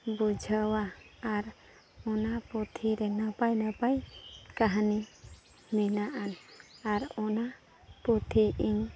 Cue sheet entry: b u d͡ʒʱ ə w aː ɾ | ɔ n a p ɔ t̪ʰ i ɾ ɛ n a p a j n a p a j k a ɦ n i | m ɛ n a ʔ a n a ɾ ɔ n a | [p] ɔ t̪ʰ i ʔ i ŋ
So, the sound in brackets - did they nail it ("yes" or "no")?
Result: yes